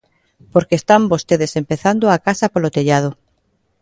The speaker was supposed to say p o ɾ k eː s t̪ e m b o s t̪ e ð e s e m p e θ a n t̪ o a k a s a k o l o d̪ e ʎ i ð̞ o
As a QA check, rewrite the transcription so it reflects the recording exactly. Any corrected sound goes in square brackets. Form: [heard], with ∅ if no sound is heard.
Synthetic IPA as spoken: p o ɾ k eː s t̪ [a] m b o s t̪ e ð e s e m p e θ a n [d̪] o a k a s a [p] o l o [t̪] e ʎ [a] ð̞ o